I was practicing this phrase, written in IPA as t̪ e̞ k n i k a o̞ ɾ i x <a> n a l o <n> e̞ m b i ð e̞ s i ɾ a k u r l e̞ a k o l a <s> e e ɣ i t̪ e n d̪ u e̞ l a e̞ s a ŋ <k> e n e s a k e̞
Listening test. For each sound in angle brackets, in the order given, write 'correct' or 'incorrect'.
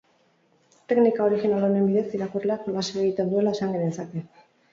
incorrect: i, correct, correct, incorrect: ɡ

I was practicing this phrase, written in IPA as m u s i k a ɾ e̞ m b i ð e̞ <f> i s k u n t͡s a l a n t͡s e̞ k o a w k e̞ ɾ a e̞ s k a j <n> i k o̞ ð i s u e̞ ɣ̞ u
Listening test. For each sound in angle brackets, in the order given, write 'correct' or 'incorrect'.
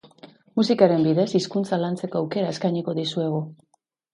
incorrect: s, incorrect: ɲ

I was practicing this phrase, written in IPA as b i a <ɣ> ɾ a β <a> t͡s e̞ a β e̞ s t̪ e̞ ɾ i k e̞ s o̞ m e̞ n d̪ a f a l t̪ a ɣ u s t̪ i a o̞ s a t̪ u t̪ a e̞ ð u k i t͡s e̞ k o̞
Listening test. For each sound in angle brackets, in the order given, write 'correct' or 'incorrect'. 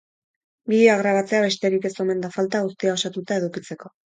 correct, correct

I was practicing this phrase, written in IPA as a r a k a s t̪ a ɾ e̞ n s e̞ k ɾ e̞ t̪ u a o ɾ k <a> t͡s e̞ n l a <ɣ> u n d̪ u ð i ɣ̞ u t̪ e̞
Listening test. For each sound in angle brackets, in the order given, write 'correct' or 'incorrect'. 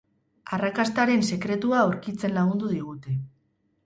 incorrect: i, correct

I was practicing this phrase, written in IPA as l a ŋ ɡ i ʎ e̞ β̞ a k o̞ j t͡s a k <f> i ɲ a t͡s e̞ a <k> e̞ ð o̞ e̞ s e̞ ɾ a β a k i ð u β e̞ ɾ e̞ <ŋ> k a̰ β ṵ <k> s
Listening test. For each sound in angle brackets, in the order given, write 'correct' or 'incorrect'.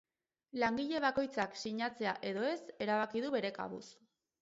incorrect: s, incorrect: ʔ, incorrect: none, incorrect: none

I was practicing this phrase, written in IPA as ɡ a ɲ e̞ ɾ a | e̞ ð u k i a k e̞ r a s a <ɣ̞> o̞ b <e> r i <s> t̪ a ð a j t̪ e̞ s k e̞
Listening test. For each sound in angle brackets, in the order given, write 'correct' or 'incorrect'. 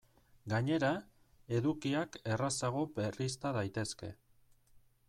correct, correct, correct

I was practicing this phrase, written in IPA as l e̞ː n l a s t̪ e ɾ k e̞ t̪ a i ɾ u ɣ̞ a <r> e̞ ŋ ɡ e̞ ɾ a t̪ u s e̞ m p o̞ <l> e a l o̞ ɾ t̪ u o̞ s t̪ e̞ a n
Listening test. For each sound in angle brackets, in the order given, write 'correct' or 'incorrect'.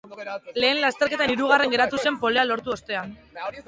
correct, correct

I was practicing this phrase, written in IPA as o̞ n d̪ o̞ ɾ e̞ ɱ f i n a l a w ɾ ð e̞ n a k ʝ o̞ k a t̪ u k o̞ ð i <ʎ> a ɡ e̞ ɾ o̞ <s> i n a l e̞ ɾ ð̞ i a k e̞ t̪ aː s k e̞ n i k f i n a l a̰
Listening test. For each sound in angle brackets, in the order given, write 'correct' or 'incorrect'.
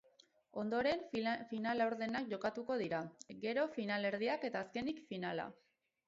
incorrect: ɾ, incorrect: f

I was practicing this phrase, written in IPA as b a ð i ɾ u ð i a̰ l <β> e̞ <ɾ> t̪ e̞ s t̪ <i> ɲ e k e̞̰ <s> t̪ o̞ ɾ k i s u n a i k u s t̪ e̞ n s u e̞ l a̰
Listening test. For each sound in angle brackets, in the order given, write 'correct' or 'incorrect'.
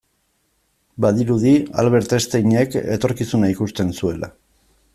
correct, correct, incorrect: e, incorrect: none

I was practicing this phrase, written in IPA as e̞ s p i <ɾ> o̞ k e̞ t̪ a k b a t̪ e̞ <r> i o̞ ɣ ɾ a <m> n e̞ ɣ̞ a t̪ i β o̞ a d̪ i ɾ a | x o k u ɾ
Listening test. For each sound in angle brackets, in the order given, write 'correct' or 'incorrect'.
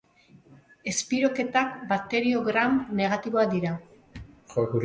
correct, incorrect: ɾ, correct

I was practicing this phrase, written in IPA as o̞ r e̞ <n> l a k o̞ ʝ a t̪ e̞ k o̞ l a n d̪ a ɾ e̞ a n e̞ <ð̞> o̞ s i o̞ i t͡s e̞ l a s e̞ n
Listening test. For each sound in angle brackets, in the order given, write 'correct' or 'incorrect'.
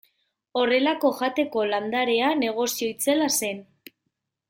incorrect: none, incorrect: ɣ̞

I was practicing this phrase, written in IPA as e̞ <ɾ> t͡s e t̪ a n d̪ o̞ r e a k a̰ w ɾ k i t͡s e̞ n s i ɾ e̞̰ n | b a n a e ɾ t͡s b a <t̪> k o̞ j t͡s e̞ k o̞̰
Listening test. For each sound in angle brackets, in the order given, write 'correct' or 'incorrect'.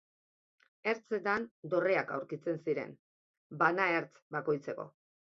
correct, incorrect: none

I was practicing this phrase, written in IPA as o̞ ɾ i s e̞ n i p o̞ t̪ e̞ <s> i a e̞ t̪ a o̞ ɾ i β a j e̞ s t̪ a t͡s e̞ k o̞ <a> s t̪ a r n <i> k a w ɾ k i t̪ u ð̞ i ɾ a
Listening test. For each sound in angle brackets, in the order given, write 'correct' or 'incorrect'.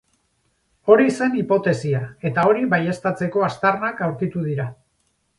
correct, correct, incorrect: a

